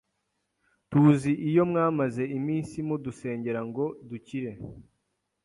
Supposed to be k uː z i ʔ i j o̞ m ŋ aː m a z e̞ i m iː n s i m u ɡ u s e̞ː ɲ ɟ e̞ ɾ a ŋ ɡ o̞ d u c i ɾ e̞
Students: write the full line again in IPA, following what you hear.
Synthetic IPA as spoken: t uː z i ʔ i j o̞ m ŋ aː m a z e̞ i m iː n s i m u d u s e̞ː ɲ ɟ e̞ ɾ a ŋ ɡ o̞ d u c i ɾ e̞